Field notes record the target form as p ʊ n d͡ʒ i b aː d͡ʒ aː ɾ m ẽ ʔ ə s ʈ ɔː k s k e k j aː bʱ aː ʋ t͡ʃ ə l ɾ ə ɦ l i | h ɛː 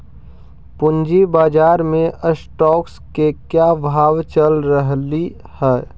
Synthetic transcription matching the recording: p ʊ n d͡ʒ i b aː d͡ʒ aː ɾ m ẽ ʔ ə s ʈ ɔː k s k e k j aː bʱ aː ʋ t͡ʃ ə l ɾ ə ɦ l i | h ɛː